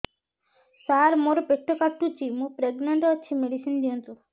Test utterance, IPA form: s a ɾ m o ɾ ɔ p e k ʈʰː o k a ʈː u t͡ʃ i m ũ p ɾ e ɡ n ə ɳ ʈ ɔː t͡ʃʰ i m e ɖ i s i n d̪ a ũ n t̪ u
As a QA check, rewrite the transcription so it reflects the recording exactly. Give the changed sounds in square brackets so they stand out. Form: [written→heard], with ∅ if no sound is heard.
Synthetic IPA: s a ɾ m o ɾ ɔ p e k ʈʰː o k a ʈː u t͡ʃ i m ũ p ɾ e ɡ n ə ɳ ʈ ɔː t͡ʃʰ i m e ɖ i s i n d̪ [a→i] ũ n t̪ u